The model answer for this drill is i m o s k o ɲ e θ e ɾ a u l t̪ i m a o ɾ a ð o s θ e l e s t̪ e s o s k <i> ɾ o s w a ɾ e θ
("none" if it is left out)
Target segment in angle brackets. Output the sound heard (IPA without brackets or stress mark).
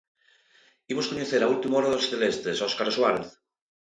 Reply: a